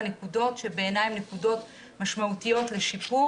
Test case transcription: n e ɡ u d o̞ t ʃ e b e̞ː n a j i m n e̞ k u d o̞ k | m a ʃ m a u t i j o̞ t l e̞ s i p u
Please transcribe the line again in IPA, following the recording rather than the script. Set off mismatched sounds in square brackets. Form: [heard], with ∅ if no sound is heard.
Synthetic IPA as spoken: n e [k] u d o̞ t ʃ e b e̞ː n a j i m n e̞ k u d o̞ [t] | m a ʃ m a u t i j o̞ t l e̞ [ʃ] i p u